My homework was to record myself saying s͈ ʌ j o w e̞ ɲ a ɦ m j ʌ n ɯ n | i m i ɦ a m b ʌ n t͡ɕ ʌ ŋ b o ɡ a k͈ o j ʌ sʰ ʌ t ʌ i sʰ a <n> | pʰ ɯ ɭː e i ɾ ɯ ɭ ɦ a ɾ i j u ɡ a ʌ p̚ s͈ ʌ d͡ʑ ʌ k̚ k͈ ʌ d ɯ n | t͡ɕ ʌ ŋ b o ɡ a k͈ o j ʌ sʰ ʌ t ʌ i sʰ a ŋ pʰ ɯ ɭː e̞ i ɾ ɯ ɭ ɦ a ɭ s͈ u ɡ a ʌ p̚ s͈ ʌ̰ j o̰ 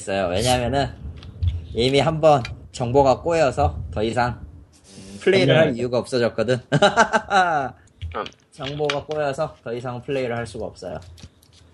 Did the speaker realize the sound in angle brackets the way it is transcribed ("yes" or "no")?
no